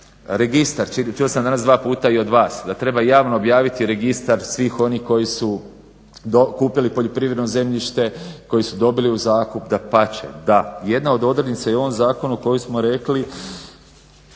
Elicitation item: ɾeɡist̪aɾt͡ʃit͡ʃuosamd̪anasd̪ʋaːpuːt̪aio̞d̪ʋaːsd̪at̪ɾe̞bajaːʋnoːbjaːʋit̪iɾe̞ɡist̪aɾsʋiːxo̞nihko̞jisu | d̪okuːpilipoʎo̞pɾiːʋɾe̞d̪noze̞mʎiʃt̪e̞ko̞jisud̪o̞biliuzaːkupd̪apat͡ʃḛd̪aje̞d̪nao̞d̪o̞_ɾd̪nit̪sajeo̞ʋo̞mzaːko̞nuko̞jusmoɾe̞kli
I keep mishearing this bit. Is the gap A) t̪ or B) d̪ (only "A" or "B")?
B